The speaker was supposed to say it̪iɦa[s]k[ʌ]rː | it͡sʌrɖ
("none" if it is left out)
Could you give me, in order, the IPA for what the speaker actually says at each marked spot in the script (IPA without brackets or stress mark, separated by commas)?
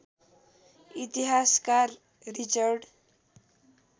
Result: s, a